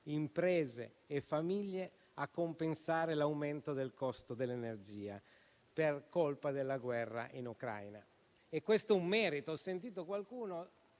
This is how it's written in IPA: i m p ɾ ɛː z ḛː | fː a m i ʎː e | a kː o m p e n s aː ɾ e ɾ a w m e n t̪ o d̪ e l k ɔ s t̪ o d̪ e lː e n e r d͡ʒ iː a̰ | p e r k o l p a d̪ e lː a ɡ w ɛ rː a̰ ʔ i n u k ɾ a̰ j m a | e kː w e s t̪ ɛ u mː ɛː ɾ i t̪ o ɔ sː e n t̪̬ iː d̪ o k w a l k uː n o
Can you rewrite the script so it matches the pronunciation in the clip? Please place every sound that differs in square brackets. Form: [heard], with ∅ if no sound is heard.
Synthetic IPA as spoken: i m p ɾ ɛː z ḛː | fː a m i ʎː e | a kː o m p e n s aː ɾ e [l] a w m e n t̪ o d̪ e l k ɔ s t̪ o d̪ e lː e n e r d͡ʒ iː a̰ | p e r k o l p a d̪ e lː a ɡ w ɛ rː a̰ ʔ i n u k ɾ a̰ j [n] a | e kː w e s t̪ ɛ u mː ɛː ɾ i t̪ o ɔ sː e n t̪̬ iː [t̪] o k w a l k uː n o